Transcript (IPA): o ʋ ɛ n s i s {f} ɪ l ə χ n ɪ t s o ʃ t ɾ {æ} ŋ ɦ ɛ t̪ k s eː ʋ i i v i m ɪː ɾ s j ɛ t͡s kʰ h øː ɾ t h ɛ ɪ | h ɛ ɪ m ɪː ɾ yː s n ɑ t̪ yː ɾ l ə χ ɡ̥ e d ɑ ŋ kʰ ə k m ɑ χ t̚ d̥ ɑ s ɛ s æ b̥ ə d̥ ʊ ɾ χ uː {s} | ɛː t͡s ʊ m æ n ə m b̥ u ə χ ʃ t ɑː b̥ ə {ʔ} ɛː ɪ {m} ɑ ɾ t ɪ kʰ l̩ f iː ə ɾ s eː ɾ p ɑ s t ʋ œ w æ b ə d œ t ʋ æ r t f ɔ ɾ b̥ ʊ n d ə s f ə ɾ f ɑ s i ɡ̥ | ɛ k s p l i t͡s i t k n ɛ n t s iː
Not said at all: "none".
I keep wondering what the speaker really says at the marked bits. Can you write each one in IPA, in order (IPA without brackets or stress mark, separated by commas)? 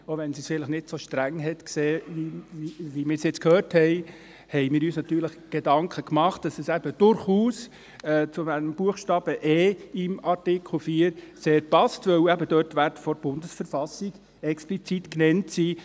f, æ, s, ʔ, m